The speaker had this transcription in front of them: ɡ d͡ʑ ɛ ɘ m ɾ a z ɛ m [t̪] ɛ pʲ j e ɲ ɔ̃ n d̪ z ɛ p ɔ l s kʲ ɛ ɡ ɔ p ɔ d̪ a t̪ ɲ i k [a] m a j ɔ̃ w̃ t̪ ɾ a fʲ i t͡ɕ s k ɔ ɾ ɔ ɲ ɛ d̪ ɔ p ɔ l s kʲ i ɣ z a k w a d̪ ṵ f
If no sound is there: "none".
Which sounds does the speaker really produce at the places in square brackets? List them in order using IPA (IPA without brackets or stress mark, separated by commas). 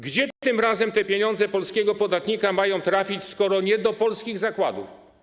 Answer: t̪, a